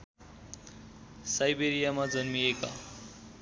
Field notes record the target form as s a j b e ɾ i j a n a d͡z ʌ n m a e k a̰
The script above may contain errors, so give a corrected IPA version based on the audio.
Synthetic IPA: s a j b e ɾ i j a m a d͡z ʌ n m i e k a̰